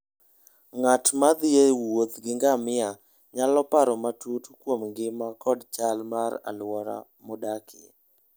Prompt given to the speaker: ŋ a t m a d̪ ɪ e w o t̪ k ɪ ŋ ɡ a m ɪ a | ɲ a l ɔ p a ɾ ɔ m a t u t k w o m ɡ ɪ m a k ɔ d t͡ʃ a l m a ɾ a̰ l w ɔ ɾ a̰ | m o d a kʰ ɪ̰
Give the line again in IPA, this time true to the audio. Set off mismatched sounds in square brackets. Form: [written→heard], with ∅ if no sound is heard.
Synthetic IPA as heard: ŋ a t m a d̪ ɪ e w o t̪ [k→ɡ] ɪ ŋ ɡ a m ɪ a | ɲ a l ɔ p a ɾ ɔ m a t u t k w o m ɡ ɪ m a k ɔ d t͡ʃ a l m a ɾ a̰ l w ɔ ɾ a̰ | m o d a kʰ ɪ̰